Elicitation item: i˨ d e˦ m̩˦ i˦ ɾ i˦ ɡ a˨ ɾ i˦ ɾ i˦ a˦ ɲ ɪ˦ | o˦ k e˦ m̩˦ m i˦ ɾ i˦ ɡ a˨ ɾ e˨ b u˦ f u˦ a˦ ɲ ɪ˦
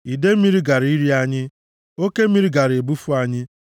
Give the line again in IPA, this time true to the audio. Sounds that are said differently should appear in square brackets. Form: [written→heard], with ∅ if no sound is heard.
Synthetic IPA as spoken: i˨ d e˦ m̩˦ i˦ ɾ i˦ ɡ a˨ ɾ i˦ ɾ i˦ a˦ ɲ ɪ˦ | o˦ k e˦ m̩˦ m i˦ ɾ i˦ ɡ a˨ ɾ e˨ b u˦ f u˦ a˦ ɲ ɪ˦